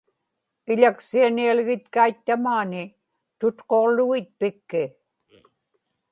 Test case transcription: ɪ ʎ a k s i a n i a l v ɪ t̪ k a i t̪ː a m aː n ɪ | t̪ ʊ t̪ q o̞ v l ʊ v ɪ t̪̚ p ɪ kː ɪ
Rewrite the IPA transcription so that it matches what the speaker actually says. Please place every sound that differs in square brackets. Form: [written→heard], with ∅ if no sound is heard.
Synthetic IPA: ɪ ʎ a k s i a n i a l [v→ɣ] ɪ t̪ k a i t̪ː a m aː n ɪ | t̪ ʊ t̪ q o̞ [v→ʁ] l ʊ [v→ɣ] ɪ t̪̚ p ɪ kː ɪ